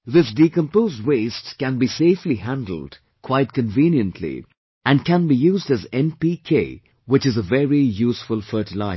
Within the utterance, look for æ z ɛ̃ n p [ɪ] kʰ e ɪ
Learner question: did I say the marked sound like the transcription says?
no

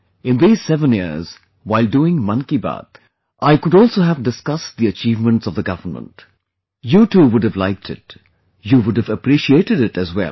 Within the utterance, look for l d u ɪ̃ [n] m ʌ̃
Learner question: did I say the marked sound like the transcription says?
no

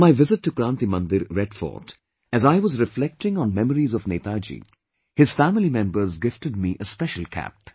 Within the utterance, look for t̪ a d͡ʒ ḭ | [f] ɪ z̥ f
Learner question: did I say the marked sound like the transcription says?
no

